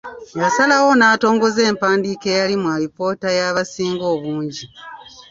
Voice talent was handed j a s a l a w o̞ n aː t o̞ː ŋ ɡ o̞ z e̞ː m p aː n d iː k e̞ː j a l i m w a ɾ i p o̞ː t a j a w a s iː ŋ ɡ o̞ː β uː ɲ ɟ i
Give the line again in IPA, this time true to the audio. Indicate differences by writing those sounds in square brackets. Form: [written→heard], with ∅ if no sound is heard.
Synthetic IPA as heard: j a s a l a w o̞ n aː t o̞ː ŋ ɡ o̞ z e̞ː m p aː n d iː k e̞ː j a l i m w a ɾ i p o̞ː t a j a [w→β] a s iː ŋ ɡ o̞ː β uː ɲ ɟ i